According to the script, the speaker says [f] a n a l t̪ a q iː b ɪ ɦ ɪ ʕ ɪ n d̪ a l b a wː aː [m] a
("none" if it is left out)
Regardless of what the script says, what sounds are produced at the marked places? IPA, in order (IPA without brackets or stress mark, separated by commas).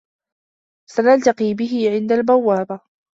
s, b